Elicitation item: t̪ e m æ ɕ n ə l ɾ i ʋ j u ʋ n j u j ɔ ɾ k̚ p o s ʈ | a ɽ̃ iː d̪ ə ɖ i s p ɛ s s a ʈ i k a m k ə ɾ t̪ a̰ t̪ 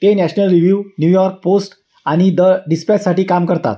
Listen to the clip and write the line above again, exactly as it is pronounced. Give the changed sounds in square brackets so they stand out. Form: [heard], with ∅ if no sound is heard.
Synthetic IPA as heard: t̪ e [n] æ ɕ n ə l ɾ i ʋ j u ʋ n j u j ɔ ɾ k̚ p o s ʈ | a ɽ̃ [i] d̪ ə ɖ i s p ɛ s s a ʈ [iː] k a m k ə ɾ t̪ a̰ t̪